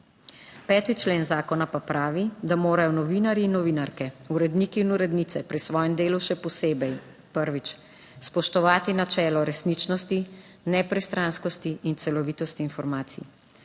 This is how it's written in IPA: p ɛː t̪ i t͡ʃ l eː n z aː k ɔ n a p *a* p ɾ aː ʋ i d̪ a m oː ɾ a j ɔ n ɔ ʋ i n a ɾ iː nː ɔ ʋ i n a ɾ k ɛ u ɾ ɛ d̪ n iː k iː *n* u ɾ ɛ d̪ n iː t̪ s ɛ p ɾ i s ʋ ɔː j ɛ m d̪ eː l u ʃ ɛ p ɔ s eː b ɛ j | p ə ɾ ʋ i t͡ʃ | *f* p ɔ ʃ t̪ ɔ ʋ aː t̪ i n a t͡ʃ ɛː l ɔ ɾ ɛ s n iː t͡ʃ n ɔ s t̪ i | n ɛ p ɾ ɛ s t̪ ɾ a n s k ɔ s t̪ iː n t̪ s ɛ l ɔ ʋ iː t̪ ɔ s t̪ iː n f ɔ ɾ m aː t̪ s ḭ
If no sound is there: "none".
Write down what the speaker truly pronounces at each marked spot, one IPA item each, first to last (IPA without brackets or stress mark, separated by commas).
a, n, s